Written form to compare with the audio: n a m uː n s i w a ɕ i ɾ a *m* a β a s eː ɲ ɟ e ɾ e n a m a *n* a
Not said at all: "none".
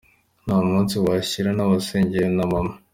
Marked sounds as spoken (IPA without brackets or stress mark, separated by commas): n, m